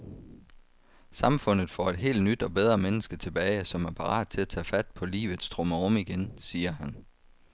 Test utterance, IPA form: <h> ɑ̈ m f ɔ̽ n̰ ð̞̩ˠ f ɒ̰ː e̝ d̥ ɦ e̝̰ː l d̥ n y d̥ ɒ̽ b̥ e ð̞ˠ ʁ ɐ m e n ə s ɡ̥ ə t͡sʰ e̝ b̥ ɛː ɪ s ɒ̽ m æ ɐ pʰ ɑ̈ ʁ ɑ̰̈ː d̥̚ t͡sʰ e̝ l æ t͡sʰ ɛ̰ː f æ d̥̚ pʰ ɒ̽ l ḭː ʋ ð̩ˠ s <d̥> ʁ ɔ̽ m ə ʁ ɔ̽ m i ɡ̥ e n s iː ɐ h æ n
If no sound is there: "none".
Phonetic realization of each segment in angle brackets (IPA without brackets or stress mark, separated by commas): s, d̥